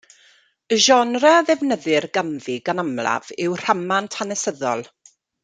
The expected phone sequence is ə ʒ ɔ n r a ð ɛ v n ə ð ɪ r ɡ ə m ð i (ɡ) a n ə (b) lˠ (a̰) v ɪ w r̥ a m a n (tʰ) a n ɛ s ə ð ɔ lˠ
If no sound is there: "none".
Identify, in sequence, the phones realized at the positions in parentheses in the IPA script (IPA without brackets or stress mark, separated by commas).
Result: ɡ, m, a̰, tʰ